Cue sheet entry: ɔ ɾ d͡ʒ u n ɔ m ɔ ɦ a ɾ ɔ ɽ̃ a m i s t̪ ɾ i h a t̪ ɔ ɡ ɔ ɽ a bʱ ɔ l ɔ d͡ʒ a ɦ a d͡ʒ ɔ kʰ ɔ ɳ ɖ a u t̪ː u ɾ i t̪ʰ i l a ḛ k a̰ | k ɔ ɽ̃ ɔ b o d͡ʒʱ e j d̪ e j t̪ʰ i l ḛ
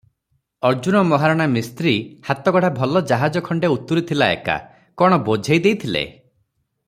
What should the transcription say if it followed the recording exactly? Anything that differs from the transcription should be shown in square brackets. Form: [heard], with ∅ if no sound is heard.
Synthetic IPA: ɔ ɾ d͡ʒ u n ɔ m ɔ ɦ a ɾ ɔ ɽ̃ a m i s t̪ ɾ i h a t̪ ɔ ɡ ɔ ɽ a bʱ ɔ l ɔ d͡ʒ a ɦ a d͡ʒ ɔ kʰ ɔ ɳ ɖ [e] u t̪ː u ɾ i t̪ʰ i l a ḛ k a̰ | k ɔ ɽ̃ ɔ b o d͡ʒʱ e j d̪ e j t̪ʰ i l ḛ

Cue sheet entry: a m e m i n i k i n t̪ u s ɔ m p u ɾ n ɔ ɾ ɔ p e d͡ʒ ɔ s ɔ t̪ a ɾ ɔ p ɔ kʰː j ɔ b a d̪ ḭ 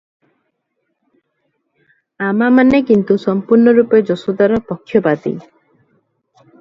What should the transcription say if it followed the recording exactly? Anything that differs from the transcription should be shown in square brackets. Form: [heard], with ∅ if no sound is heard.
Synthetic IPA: a m [a] m [a] n [e] k i n t̪ u s ɔ m p u ɾ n ɔ ɾ [u] p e d͡ʒ ɔ s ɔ [d̪] a ɾ ɔ p ɔ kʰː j ɔ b a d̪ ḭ

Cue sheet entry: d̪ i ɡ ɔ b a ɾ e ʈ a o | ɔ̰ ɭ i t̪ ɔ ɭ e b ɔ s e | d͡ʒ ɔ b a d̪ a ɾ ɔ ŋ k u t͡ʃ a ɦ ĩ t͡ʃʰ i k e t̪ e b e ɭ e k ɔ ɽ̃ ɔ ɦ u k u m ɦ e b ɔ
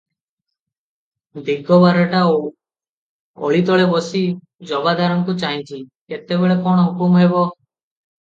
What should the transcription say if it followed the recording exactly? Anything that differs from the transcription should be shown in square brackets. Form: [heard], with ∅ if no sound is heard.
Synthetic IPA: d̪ i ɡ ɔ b a ɾ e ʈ a o | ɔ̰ ɭ i t̪ ɔ ɭ e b ɔ s [i] | d͡ʒ ɔ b a d̪ a ɾ ɔ ŋ k u t͡ʃ a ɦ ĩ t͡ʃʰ i k e t̪ e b e ɭ e k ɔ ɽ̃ ɔ ɦ u k u m ɦ e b ɔ

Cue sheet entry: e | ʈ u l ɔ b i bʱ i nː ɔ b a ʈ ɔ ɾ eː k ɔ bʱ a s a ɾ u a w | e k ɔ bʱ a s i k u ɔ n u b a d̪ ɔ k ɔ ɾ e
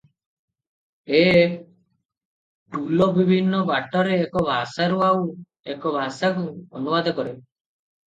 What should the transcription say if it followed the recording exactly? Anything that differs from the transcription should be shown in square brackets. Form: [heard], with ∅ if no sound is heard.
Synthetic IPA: e | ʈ u l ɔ b i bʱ i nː ɔ b a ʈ ɔ ɾ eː k ɔ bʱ a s a ɾ u a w | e k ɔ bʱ a s [a] k u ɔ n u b a d̪ ɔ k ɔ ɾ e

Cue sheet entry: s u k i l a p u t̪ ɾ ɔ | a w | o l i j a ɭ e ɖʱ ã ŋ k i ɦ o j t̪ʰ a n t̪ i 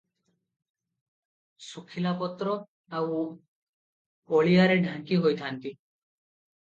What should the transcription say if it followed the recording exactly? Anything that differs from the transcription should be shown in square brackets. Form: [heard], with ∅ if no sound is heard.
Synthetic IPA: s u [kʰ] i l a p [ɔ] t̪ ɾ ɔ | a w | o [ɭ] i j a [ɾ] e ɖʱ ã ŋ k i ɦ o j t̪ʰ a n t̪ i

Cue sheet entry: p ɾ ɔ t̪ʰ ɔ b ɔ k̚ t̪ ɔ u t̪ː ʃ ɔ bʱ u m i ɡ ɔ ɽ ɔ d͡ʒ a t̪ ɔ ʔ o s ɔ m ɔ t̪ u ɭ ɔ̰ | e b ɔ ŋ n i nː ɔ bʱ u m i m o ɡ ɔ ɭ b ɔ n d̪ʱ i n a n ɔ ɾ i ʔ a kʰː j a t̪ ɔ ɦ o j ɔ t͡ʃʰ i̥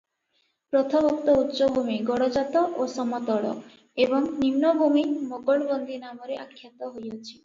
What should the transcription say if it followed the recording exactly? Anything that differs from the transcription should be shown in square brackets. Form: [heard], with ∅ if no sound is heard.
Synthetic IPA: p ɾ ɔ t̪ʰ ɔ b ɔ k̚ t̪ ɔ u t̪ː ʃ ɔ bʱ u m i ɡ ɔ ɽ ɔ d͡ʒ a t̪ ɔ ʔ o s ɔ m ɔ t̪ [ɔ] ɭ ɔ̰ | e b ɔ ŋ n i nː ɔ bʱ u m i m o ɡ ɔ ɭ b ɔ n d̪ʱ i n a [m] ɔ ɾ [e] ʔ a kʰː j a t̪ ɔ ɦ o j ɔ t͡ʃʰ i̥

